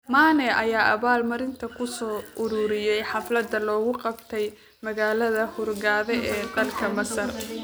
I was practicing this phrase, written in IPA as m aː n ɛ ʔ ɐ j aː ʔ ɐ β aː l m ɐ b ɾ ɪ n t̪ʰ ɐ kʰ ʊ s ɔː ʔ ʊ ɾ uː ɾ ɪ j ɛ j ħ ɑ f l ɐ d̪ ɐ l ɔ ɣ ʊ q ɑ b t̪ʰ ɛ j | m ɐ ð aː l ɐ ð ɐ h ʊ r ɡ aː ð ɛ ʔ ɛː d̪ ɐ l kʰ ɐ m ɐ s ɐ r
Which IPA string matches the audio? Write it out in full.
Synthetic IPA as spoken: m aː n ɛ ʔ ɐ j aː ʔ ɐ β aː l m ɐ ɾ ɪ n t̪ʰ ɐ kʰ ʊ s ɔː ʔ ʊ ɾ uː ɾ ɪ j ɛ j ħ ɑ f l ɐ d̪ ɐ l ɔː ɣ ʊ q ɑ b t̪ʰ ɛ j | m ɐ ɣ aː l ɐ ð ɐ h ʊ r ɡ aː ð ɛ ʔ ɛː d̪ ɐ l kʰ ɐ m ɐ s ɐ r